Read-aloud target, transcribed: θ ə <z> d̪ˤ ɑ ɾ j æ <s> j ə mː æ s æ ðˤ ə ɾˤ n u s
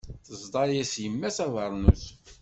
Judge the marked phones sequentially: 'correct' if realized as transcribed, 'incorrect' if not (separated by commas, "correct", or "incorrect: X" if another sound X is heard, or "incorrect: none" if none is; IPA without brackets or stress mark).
correct, correct